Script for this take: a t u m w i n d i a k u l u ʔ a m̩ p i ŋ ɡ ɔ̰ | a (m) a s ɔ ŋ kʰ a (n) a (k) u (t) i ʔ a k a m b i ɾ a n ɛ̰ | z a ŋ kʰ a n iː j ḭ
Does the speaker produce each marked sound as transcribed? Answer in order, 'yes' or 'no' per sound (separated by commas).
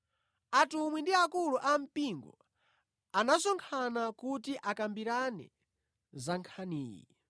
no, yes, yes, yes